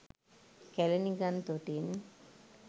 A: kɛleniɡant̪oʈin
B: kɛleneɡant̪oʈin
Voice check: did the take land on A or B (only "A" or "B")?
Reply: A